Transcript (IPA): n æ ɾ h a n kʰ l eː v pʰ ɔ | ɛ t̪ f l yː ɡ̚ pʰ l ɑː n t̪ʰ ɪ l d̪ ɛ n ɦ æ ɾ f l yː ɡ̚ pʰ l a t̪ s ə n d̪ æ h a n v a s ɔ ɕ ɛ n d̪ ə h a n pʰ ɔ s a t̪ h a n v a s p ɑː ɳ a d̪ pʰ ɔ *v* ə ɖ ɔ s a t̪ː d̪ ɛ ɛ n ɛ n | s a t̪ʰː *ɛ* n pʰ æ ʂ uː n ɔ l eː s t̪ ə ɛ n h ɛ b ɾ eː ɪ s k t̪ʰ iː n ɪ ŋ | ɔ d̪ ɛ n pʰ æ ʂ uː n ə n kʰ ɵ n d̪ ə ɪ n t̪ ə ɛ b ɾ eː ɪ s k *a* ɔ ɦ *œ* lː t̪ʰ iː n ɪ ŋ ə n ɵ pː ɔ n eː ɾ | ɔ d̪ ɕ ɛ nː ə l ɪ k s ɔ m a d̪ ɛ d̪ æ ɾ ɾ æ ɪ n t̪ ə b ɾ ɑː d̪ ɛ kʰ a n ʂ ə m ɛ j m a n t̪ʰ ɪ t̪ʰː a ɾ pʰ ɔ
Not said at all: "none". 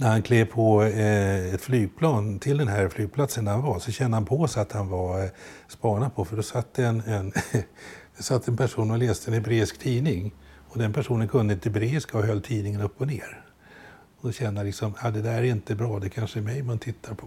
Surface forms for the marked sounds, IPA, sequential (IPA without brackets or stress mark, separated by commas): f, ɛ, a, œ